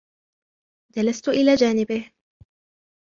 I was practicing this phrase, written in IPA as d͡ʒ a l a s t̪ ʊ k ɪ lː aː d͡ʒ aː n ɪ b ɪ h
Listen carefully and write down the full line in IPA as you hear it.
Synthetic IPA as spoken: d͡ʒ a l a s t̪ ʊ ʔ ɪ l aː d͡ʒ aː n ɪ b ɪ h